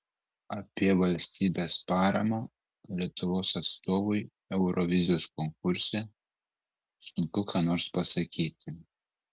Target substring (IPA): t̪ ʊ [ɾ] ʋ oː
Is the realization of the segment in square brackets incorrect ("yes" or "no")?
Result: yes